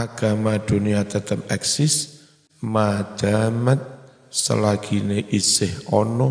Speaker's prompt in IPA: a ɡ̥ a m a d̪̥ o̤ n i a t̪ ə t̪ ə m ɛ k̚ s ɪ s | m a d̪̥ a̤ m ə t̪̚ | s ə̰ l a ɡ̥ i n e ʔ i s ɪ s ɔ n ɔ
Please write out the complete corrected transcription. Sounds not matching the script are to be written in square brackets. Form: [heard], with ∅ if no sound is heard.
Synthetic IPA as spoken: a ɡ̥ a m a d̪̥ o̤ n i a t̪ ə t̪ ə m ɛ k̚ s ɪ s | m a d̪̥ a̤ m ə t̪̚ | s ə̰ l a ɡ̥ i n e ʔ i s ɪ [h] ɔ n ɔ